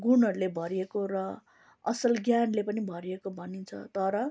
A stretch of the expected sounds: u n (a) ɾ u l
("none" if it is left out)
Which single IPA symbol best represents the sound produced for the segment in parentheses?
ʌ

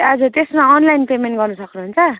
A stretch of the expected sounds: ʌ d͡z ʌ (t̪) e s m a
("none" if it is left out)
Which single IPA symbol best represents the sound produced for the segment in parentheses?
t̪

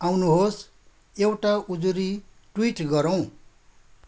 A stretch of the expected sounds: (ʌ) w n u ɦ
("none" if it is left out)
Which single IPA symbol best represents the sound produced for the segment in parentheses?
a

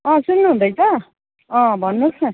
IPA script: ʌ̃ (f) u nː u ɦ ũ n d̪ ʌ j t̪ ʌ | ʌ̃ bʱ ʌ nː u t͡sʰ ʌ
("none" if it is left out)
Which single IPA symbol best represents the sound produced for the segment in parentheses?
s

